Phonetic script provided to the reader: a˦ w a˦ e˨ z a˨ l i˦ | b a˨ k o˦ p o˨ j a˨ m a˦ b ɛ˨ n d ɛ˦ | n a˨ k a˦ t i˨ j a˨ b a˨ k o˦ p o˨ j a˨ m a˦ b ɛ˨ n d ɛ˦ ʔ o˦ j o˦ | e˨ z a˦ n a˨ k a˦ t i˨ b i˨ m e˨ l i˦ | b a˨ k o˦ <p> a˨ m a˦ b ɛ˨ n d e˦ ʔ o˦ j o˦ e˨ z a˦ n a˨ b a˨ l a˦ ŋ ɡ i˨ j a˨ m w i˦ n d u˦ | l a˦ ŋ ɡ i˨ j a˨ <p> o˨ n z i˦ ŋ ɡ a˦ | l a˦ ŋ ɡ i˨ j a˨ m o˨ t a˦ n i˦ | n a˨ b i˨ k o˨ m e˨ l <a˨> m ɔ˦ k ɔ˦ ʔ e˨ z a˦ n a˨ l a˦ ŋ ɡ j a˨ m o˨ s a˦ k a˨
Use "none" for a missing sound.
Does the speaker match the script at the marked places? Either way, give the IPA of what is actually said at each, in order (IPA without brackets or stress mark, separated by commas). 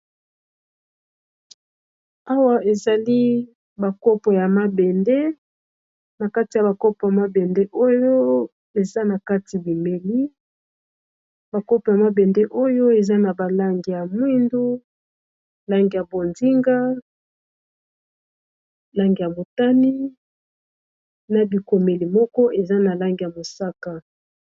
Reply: p, b, i˨